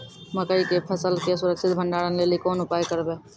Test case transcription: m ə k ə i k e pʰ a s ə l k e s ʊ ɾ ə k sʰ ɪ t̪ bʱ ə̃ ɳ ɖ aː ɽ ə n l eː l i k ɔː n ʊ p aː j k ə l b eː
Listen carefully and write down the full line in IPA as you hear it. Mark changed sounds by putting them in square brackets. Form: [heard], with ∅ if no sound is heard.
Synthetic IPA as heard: m ə k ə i k e pʰ [ə] s ə l k e s ʊ ɾ ə k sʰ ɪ t̪ bʱ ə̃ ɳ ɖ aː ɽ ə n l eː l i k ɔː n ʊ p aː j k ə [ɾ] b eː